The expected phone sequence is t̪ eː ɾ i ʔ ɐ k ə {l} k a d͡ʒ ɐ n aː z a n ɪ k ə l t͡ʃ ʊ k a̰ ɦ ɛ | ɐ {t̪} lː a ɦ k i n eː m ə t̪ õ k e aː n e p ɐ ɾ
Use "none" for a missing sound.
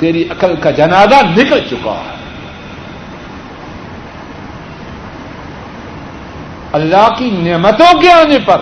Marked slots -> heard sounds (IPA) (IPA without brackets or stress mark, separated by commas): l, none